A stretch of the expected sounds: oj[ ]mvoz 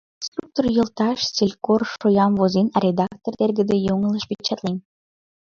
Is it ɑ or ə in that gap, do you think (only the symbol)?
ɑ